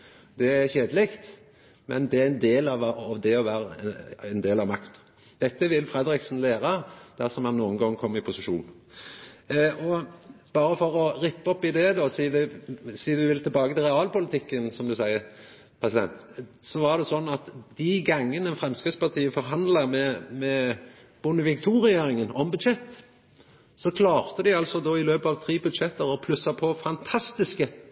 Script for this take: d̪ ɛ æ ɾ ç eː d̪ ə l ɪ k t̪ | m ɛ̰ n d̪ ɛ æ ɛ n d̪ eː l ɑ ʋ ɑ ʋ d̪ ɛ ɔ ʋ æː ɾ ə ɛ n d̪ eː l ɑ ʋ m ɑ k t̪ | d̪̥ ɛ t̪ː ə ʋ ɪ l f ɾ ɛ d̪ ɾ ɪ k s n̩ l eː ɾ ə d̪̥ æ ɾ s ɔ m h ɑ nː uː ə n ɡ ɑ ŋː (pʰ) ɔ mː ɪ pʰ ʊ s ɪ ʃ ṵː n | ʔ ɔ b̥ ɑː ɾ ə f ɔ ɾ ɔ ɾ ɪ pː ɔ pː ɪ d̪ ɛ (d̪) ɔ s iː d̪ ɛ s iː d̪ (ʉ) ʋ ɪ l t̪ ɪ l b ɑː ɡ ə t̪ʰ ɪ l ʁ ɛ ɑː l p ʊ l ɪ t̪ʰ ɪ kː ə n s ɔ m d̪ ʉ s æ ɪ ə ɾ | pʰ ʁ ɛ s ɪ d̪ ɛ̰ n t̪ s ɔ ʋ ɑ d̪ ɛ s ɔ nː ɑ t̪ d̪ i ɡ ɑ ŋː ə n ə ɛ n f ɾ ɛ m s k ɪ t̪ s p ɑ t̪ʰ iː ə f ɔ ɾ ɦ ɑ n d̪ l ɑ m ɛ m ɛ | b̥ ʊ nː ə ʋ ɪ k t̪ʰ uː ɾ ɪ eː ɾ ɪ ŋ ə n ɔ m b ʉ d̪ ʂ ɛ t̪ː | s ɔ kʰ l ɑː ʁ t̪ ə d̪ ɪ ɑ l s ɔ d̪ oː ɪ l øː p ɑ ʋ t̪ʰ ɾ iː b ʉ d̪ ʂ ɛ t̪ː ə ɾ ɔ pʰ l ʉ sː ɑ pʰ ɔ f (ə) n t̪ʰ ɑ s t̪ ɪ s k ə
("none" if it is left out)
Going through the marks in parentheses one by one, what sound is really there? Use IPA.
kʰ, d̪, ʉ, ɑ

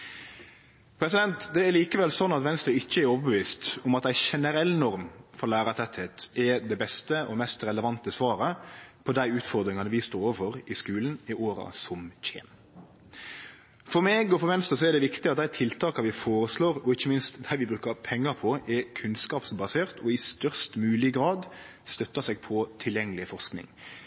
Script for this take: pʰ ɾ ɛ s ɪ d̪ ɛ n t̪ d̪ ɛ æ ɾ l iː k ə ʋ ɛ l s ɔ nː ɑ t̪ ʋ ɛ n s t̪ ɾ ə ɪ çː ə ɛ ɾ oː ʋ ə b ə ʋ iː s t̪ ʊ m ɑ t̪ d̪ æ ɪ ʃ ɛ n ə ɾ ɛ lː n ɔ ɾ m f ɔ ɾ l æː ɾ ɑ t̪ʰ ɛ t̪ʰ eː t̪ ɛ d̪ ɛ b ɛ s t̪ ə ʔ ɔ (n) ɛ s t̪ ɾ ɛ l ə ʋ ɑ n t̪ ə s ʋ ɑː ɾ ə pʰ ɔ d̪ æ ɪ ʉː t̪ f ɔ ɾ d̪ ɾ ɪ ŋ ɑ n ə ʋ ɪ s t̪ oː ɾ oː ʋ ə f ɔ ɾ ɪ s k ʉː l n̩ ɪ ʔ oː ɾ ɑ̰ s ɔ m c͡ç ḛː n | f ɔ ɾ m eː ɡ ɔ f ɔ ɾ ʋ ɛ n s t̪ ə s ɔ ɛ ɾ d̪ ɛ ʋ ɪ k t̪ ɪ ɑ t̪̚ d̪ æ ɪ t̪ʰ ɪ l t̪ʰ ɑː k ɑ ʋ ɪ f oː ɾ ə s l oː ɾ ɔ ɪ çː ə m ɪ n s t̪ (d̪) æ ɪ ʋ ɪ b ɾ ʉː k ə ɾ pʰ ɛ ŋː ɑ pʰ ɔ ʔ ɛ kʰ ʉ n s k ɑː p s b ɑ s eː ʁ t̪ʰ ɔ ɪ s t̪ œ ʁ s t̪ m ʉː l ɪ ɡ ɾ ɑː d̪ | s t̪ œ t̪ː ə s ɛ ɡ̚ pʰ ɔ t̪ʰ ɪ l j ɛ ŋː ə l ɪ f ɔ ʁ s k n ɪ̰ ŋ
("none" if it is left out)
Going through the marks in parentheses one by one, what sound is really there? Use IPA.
m, d̪

